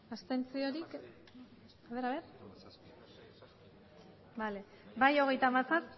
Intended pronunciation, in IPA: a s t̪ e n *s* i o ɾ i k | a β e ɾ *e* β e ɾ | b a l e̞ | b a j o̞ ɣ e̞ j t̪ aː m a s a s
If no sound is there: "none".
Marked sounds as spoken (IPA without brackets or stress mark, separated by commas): t͡s, a